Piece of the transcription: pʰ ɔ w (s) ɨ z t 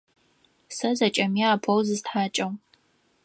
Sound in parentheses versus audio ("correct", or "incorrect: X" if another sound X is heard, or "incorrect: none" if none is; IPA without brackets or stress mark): incorrect: z